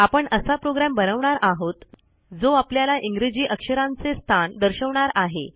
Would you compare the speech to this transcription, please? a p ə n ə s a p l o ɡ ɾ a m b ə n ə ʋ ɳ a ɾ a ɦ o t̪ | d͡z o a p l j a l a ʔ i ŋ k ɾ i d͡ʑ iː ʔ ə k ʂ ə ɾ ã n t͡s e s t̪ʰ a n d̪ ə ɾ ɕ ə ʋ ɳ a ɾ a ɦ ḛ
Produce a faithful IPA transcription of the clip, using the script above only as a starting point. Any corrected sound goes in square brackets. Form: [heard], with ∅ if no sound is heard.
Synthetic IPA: a p ə [ɳ] ə s a p [ɾ] o ɡ ɾ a m b ə n ə ʋ ɳ a ɾ a ɦ o t̪ | d͡z o a p l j a l a ʔ i ŋ [ɡ] ɾ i d͡ʑ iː ʔ ə k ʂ ə ɾ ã n t͡s e s t̪ʰ a n d̪ ə ɾ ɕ ə ʋ ɳ a ɾ a ɦ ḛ